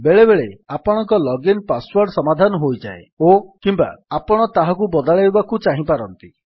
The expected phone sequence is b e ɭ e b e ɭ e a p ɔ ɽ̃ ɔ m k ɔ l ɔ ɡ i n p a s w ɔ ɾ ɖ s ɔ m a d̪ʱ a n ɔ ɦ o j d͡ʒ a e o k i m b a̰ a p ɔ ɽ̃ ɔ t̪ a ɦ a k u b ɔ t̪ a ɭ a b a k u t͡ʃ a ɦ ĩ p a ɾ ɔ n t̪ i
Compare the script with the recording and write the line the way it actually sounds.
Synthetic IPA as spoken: b e ɭ e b e ɭ e a p ɔ ɽ̃ ɔ ŋ k ɔ l ɔ ɡ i n p a s w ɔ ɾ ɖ s ɔ m a d̪ʱ a n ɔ ɦ o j d͡ʒ a e o k i m b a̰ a p ɔ ɽ̃ ɔ t̪ a ɦ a k u b ɔ d̪ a ɭ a b a k u t͡ʃ a ɦ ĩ p a ɾ ɔ n t̪ i